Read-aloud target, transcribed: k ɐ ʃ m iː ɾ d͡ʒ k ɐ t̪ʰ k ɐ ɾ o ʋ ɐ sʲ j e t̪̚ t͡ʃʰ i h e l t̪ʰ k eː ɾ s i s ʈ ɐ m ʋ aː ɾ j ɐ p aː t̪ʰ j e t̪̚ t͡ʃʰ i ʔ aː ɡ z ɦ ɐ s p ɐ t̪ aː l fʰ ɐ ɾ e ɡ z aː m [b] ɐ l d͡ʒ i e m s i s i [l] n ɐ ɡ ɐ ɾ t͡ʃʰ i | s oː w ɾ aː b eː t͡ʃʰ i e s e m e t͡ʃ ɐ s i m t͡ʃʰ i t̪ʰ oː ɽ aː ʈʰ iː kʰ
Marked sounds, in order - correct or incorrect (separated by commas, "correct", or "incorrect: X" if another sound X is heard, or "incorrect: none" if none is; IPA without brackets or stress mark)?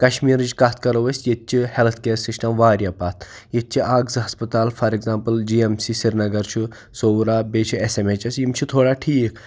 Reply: incorrect: p, incorrect: ɾ